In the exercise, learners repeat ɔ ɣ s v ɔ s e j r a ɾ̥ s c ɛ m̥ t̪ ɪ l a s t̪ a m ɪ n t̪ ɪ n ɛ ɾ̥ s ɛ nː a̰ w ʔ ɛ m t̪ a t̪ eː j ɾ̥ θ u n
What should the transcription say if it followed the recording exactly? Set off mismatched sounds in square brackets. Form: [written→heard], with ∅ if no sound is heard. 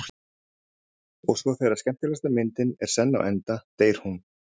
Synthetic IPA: ɔ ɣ s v ɔ [s→θ] e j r a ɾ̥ s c ɛ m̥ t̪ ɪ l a s t̪ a m ɪ n t̪ ɪ n ɛ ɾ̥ s ɛ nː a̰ w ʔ ɛ [m→n] t̪ a t̪ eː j ɾ̥ [θ→h] u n